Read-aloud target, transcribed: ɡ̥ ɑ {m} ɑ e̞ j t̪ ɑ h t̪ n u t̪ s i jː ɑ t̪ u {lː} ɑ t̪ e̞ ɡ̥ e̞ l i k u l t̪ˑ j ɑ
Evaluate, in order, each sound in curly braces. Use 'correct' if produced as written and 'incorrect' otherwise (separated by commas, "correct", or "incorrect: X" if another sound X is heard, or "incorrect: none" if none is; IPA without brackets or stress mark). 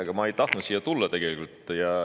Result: correct, correct